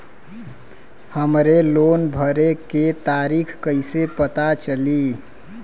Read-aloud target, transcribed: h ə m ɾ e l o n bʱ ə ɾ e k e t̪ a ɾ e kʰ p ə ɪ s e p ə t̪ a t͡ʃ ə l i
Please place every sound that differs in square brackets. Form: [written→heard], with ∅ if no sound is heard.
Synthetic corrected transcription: h ə m ɾ e l o n bʱ ə ɾ e k e t̪ a ɾ [e→i] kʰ [p→k] ə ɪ s e p ə t̪ a t͡ʃ ə l i